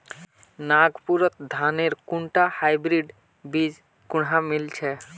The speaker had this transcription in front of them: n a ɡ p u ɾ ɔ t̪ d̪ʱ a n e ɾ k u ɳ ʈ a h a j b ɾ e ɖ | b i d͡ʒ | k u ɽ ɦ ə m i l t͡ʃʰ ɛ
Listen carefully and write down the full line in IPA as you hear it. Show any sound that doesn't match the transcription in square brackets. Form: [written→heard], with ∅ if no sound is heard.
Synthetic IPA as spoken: n a ɡ p u ɾ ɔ t̪ d̪ʱ a n e ɾ k u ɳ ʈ a h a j b ɾ [e→i] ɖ | b i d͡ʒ | k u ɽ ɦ [ə→a] m i l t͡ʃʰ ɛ

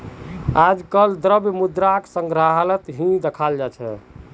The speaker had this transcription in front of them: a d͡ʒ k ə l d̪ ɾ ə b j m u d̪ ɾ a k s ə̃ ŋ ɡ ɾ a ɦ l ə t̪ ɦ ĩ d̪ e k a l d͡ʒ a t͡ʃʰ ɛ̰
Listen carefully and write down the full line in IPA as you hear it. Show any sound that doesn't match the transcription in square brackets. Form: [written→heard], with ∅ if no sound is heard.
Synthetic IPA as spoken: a d͡ʒ k ə l d̪ ɾ ə b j m u d̪ ɾ a k s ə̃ ŋ ɡ ɾ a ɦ l ə t̪ ɦ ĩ d̪ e [k→kʰ] a l d͡ʒ a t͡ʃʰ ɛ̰

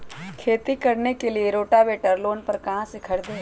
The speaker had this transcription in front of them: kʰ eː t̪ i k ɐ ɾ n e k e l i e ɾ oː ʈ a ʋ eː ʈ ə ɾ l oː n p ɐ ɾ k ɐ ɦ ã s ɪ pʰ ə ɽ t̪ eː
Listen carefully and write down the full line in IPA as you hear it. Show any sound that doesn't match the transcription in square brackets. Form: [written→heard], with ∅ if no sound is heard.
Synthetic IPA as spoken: kʰ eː t̪ i k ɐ ɾ n e k e l i e ɾ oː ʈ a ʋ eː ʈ ə ɾ l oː n p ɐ ɾ k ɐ ɦ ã s ɪ [pʰ→kʰ] ə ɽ [t̪→d̪] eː

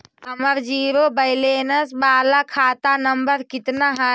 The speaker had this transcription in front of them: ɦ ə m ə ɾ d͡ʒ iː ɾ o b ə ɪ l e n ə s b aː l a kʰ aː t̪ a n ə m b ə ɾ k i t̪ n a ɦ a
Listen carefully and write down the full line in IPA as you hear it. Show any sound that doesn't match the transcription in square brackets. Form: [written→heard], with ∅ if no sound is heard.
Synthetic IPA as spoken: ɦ ə m ə ɾ d͡ʒ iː ɾ o b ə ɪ l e n ə s b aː l a kʰ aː t̪ a n ə m b ə ɾ k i t̪ n a ɦ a

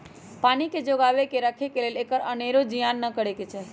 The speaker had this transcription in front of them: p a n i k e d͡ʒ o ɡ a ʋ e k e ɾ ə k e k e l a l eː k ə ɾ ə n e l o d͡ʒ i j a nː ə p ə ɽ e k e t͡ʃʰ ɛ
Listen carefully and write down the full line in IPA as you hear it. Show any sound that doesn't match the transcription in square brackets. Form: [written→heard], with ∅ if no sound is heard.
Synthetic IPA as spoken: p a n i k e d͡ʒ o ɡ a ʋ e k e ɾ ə [k→kʰ] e k e l [a→e] l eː k ə ɾ ə n e [l→ɾ] o d͡ʒ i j a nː ə [p→k] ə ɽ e k e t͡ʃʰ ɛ

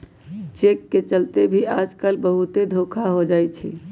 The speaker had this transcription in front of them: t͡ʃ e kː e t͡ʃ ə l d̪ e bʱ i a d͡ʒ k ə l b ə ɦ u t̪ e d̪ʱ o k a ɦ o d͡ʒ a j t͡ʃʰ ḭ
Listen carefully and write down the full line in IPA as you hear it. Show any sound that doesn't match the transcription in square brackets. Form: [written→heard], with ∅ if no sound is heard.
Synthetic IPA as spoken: t͡ʃ e kː e t͡ʃ ə l [d̪→t̪] e bʱ i a d͡ʒ k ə l b ə ɦ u t̪ e d̪ʱ o [k→kʰ] a ɦ o d͡ʒ a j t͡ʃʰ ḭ

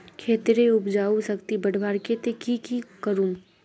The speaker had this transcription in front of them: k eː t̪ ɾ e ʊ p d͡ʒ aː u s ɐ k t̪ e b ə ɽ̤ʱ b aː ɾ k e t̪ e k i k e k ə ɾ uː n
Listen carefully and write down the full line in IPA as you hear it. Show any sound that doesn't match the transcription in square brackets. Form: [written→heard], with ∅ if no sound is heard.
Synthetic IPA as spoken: [k→kʰ] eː t̪ ɾ e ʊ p d͡ʒ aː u s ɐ k t̪ [e→i] b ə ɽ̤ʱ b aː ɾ k e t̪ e k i k [e→i] k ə ɾ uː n

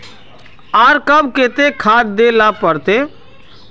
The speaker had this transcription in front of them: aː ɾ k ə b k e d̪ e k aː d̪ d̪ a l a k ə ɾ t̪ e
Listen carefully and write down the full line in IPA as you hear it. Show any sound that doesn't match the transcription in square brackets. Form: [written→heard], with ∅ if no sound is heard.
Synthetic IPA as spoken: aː ɾ k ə b k e [d̪→t̪] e [k→kʰ] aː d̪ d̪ [a→e] l a [k→p] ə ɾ t̪ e

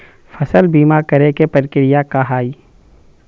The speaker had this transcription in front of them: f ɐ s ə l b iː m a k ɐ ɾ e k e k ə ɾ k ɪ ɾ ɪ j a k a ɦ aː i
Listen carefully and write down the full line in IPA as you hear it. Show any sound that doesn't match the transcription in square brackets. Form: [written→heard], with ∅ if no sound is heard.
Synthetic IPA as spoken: f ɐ s ə l b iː m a k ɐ ɾ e k e [k→p] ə ɾ k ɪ ɾ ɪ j a k a ɦ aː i

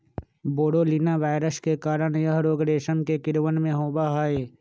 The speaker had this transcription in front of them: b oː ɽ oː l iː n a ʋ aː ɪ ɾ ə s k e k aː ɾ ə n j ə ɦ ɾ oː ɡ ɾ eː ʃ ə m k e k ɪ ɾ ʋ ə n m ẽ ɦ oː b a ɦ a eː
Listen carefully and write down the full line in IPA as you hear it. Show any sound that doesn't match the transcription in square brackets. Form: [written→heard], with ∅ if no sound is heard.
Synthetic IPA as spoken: b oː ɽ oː l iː n a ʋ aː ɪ ɾ ə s k e k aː ɾ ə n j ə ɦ ɾ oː ɡ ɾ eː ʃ ə [m→n] k e k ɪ ɾ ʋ ə n m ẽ ɦ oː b a ɦ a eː

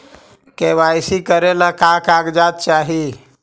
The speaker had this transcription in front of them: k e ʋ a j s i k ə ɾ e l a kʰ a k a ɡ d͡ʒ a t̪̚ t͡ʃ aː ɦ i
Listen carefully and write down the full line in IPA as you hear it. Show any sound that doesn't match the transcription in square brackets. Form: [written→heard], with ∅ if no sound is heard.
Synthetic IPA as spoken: k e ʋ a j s i k ə ɾ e l a [kʰ→k] a k a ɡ d͡ʒ a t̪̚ t͡ʃ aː ɦ i

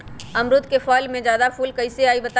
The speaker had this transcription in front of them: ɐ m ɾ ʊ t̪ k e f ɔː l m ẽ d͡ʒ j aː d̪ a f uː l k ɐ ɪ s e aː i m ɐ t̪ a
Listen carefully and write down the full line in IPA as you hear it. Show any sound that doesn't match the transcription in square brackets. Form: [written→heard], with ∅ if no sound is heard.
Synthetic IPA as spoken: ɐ m ɾ ʊ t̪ k e f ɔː l m ẽ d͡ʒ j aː d̪ a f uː l k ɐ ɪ s e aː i [m→b] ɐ t̪ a

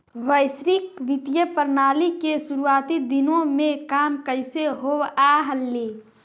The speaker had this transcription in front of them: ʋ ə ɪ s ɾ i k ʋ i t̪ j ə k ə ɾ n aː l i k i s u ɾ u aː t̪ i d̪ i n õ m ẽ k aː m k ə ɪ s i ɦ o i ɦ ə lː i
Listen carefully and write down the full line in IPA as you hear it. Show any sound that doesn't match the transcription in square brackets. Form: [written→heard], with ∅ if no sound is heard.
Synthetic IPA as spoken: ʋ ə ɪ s ɾ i k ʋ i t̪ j ə [k→p] ə ɾ n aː l i k [i→e] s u ɾ u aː t̪ i d̪ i n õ m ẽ k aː m k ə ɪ s [i→e] ɦ o [i→a] ɦ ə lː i

